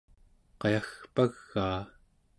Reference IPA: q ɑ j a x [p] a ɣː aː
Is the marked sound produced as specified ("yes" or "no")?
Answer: yes